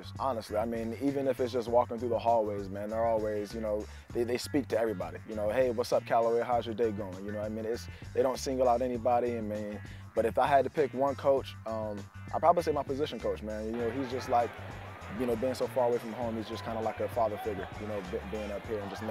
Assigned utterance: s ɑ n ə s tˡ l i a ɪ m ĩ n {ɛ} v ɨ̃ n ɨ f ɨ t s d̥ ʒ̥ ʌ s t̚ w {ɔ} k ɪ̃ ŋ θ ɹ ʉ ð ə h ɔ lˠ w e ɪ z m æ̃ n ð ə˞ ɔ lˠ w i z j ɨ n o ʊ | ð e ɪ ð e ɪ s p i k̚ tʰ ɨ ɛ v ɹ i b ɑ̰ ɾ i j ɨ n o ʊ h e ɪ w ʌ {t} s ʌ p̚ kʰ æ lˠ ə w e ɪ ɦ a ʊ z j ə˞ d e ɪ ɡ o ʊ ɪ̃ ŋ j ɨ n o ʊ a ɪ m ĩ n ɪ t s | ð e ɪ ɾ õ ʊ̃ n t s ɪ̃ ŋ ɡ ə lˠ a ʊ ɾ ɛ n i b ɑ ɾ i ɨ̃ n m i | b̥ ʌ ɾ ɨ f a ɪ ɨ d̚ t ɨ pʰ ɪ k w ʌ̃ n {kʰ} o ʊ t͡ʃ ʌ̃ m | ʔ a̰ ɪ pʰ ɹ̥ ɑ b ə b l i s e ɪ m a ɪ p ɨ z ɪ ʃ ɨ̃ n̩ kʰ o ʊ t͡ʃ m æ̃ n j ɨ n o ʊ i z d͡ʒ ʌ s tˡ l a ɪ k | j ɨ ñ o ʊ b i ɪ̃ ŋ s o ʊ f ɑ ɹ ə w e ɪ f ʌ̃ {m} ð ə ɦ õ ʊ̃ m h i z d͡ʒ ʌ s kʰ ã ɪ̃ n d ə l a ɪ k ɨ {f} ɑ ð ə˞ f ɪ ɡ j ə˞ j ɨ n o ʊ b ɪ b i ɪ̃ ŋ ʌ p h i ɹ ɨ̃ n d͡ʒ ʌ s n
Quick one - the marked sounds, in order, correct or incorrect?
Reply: incorrect, correct, correct, correct, correct, correct

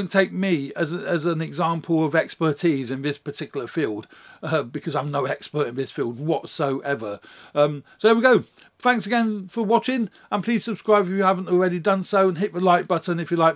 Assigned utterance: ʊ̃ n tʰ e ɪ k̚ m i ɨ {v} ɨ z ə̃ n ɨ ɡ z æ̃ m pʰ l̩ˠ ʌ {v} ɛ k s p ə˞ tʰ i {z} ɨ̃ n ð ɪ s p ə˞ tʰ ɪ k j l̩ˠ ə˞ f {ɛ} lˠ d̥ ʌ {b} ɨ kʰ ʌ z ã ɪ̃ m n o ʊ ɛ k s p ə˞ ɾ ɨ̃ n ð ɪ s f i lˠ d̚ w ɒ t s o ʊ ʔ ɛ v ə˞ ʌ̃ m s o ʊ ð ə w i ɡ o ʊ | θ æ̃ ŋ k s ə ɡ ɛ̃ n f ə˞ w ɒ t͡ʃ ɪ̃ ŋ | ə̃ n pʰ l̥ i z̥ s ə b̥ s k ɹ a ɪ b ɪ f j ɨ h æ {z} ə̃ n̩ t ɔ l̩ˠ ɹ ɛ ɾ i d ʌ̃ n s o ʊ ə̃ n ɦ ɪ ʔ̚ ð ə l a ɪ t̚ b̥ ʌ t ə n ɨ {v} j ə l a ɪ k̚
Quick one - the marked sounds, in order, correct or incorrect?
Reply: incorrect, correct, correct, incorrect, correct, incorrect, incorrect

